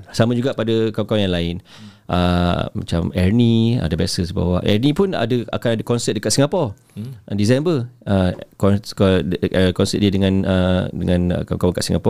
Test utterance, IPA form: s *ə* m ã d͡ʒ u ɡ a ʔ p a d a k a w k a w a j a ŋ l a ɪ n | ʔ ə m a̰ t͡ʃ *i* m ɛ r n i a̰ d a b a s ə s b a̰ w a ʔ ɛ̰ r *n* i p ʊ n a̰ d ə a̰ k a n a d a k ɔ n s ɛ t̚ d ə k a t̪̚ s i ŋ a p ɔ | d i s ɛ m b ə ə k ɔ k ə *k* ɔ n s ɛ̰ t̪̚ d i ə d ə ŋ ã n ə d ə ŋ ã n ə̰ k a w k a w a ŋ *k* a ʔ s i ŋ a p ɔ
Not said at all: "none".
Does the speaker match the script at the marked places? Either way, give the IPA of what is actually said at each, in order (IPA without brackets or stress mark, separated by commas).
a, a, n, k, k